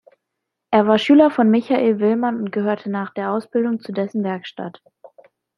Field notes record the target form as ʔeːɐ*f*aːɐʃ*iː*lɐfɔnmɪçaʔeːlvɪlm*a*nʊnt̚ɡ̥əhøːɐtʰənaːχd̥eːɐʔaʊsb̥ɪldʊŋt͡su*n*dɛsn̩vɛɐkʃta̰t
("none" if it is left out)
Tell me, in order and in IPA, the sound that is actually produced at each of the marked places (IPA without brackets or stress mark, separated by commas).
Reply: v, yː, a, none